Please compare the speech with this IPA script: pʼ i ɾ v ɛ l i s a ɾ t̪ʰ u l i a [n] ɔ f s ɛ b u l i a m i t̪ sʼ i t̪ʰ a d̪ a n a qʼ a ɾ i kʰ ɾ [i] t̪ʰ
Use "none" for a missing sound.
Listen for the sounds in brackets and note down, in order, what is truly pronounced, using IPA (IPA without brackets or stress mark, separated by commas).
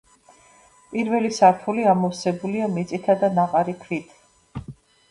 m, i